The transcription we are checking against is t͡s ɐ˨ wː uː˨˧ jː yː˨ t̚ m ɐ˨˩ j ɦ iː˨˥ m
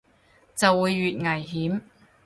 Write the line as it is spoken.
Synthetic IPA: t͡s ɐ˨ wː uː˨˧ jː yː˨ t̚ ŋ ɐ˨˩ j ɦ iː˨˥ m